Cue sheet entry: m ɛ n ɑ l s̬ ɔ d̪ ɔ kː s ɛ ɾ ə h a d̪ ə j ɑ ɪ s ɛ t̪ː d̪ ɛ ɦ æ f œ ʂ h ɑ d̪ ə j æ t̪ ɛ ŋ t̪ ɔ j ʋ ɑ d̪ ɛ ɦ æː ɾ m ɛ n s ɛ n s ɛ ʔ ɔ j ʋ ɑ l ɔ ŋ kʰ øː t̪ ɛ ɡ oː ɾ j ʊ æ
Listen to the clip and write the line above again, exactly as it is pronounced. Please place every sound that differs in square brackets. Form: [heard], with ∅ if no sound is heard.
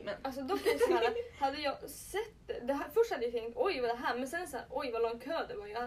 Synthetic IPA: m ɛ n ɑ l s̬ ɔ d̪ ɔ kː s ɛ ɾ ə h [ɑ] d̪ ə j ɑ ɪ s ɛ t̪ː d̪ ɛ ɦ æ f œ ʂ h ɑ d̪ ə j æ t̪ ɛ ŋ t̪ ɔ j ʋ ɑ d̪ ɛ ɦ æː ɾ m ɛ n s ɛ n s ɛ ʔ ɔ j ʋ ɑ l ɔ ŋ kʰ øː [d̪] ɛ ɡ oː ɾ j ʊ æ